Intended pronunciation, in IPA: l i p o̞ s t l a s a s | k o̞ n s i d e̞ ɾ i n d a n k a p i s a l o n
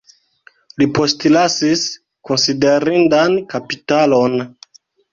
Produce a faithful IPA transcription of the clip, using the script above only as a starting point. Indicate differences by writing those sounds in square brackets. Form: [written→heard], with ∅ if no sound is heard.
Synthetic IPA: l i p o̞ s t l a s [a→i] s | k o̞ n s i d e̞ ɾ i n d a n k a p i [s→t] a l o n